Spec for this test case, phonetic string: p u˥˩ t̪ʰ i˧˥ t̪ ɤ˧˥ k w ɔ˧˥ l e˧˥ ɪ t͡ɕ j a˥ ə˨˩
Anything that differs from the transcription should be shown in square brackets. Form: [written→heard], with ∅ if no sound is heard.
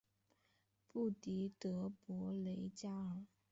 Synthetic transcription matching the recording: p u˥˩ [t̪ʰ→t̪] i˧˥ t̪ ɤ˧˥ [k→p] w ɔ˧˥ l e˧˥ ɪ t͡ɕ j a˥ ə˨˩